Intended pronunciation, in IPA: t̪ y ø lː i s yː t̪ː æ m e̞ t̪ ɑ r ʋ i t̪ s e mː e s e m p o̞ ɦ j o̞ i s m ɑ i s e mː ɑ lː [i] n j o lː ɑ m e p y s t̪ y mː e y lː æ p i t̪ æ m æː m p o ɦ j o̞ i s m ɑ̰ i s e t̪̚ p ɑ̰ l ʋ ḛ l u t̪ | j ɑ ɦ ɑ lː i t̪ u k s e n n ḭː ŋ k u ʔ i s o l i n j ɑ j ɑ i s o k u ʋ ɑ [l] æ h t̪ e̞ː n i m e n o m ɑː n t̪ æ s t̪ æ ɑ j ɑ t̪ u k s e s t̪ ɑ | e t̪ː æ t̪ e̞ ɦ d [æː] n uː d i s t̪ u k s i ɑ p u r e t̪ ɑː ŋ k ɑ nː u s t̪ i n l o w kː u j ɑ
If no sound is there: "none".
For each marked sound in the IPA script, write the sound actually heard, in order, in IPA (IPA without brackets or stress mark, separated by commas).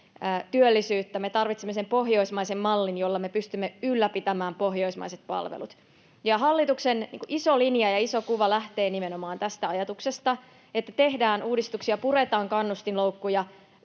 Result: i, l, æː